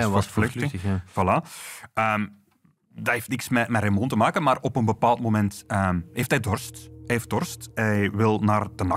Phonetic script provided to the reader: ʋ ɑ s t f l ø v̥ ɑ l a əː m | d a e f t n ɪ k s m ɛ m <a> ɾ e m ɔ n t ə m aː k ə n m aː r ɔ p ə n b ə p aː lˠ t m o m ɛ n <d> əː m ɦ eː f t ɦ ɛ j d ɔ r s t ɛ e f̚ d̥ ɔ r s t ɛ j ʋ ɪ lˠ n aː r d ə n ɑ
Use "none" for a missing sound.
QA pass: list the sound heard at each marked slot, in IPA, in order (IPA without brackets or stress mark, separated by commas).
ɛ, t